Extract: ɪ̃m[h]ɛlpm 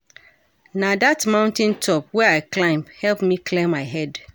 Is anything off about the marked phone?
no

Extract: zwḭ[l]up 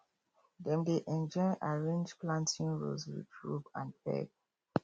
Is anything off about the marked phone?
yes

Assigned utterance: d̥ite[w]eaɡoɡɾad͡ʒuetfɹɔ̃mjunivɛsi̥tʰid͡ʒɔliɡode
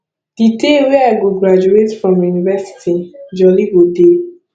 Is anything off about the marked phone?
no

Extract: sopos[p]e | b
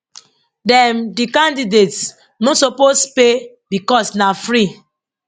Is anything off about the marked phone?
no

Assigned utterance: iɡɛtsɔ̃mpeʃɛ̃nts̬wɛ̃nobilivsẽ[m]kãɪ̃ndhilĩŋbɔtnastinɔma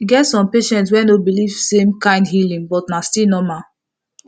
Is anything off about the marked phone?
no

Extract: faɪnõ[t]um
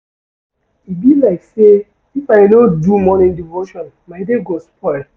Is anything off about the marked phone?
yes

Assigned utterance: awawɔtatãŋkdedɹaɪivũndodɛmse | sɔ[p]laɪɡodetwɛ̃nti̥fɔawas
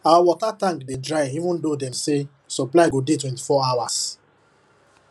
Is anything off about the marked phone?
no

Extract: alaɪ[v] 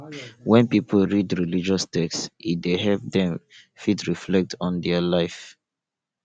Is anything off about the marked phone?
yes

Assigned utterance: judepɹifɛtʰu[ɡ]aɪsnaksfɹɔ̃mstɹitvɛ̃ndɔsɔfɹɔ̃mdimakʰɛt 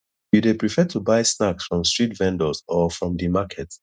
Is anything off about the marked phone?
yes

